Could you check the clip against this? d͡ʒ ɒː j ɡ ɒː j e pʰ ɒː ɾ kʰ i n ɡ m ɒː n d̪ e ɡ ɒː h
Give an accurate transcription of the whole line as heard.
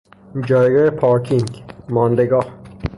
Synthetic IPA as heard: d͡ʒ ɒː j ɡ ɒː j e pʰ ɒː ɾ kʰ i ŋ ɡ m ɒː n d̪ e ɡ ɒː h